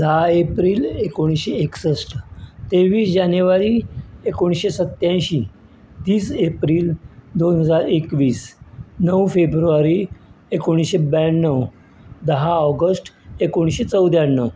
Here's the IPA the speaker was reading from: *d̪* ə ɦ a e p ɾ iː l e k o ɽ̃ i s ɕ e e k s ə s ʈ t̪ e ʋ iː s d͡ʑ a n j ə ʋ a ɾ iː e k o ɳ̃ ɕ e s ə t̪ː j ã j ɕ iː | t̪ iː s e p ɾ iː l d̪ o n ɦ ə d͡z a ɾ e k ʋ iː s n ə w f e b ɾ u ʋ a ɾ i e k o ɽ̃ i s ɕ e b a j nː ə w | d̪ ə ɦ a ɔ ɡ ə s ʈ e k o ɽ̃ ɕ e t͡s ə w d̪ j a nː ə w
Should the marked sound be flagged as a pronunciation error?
no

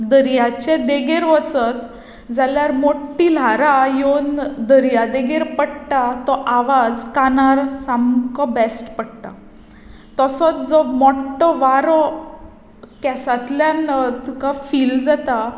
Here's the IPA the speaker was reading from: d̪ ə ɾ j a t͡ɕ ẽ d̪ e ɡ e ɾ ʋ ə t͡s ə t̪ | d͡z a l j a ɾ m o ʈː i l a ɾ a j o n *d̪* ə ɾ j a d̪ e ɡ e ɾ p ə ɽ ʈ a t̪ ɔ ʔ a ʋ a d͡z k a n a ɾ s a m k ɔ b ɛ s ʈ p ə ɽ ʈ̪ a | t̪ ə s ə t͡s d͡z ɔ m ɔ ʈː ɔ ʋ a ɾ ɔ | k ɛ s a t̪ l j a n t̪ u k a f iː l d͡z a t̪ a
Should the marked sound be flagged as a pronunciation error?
no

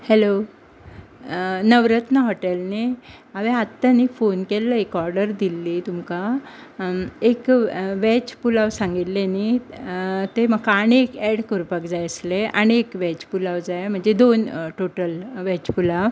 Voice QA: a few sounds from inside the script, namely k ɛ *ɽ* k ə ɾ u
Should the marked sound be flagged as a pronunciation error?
no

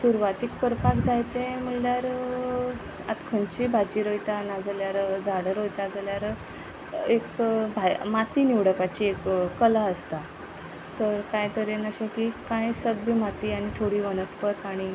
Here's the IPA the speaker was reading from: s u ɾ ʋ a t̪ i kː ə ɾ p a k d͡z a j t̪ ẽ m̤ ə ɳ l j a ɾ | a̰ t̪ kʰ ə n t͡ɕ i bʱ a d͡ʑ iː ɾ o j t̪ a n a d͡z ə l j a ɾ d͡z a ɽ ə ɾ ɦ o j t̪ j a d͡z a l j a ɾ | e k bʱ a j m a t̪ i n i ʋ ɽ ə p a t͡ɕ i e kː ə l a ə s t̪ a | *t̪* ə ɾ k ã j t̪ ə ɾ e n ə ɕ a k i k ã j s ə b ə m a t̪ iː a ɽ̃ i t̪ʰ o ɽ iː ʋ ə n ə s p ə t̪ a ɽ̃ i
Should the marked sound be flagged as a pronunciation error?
no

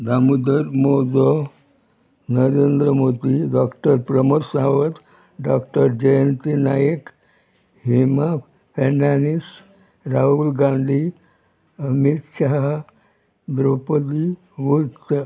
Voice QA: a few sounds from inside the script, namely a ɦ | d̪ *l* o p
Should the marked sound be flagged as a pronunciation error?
yes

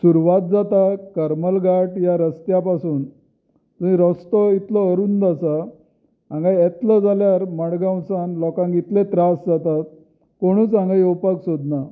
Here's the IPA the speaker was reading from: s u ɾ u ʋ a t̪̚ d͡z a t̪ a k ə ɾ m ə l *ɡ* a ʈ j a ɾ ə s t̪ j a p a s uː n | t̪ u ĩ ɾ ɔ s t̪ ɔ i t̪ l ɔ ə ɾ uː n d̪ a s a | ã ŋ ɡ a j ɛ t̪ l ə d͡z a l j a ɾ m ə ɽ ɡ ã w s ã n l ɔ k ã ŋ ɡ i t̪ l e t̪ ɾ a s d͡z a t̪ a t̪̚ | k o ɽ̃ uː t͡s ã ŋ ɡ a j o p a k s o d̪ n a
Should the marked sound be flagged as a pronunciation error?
no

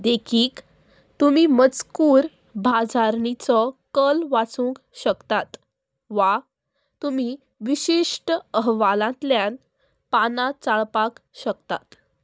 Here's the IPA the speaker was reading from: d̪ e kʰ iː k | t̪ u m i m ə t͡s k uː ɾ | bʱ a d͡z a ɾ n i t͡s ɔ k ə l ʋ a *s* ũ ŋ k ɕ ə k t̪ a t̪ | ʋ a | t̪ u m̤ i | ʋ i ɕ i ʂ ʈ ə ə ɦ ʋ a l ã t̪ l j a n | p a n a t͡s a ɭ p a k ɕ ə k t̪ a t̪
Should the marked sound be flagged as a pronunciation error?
yes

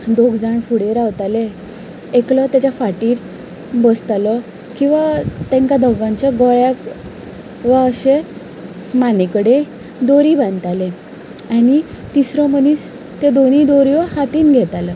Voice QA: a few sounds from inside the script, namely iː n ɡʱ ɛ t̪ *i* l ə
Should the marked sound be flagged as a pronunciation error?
yes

